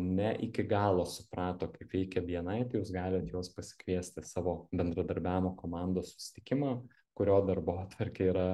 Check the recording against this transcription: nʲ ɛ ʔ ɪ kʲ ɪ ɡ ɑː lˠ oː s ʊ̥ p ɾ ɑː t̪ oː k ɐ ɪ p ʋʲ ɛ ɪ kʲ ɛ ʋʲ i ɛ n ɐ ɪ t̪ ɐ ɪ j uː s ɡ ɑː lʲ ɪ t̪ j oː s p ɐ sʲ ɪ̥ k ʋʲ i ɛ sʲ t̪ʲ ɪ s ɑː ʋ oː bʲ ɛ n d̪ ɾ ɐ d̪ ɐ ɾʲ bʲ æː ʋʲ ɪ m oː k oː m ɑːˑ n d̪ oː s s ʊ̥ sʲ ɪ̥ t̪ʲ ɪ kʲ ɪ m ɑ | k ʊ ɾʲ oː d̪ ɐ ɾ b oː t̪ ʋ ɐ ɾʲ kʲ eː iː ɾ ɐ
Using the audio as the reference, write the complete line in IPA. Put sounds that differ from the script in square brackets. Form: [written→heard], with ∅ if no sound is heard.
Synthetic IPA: nʲ ɛ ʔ ɪ kʲ ɪ ɡ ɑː lˠ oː s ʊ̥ p ɾ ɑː t̪ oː k ɐ ɪ p ʋʲ ɛ ɪ kʲ ɛ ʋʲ i ɛ n ɐ ɪ t̪ ɐ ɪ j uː s ɡ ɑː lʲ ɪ t̪ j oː s p ɐ sʲ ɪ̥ k ʋʲ i ɛ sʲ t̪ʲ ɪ s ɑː ʋ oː bʲ ɛ n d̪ ɾ ɐ d̪ ɐ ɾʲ bʲ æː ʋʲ ɪ m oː k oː m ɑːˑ n d̪ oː s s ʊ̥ sʲ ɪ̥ t̪ʲ ɪ kʲ ɪ m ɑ | k ʊ ɾʲ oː d̪ ɐ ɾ b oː t̪ ʋ ɐ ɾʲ kʲ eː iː ɾ ɐ